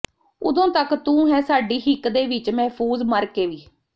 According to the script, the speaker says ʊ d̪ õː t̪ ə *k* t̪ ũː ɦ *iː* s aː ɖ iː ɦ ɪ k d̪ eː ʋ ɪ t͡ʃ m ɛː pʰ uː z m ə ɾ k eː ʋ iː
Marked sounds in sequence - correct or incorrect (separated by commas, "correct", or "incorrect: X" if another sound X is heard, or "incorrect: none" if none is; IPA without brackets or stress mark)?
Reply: correct, incorrect: ɛː